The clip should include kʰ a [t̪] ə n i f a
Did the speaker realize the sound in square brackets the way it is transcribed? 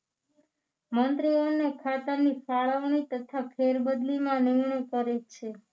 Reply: yes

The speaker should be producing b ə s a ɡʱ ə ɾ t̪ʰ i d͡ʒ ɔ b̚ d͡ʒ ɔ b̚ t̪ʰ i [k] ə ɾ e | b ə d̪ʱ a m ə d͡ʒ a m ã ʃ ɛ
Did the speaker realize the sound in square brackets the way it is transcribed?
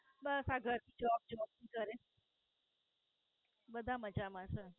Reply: yes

